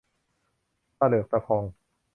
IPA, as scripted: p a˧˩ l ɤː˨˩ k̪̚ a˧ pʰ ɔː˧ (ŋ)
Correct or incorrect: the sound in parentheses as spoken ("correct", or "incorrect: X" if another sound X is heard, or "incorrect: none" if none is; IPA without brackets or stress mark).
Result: correct